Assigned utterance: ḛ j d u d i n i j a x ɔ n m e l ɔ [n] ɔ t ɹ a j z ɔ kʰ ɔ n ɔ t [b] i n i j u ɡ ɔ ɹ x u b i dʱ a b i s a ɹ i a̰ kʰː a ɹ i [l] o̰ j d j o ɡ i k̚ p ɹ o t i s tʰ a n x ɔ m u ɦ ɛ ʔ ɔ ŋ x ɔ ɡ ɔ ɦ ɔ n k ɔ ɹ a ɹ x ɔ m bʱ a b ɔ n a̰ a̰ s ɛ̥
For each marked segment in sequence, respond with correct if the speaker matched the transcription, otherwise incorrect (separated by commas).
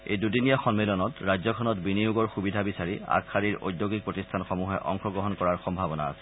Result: correct, correct, incorrect